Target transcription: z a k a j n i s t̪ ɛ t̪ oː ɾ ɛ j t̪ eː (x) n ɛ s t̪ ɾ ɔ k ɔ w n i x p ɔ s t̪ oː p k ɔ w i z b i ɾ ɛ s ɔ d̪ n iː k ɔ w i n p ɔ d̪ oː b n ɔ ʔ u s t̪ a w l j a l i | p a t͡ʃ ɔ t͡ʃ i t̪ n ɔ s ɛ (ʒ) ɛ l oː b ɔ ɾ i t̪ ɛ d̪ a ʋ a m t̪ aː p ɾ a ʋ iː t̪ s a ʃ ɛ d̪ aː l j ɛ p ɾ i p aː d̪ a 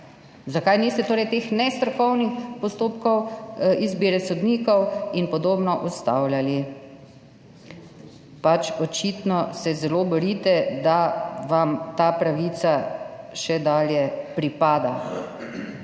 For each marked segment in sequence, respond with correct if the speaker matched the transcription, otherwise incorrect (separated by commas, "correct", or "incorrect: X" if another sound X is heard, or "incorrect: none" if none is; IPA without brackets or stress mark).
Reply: correct, incorrect: z